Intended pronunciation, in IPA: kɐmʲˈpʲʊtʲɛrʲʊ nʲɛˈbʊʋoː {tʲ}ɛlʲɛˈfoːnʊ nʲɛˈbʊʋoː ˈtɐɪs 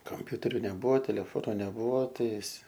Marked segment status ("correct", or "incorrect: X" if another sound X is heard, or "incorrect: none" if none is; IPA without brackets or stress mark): correct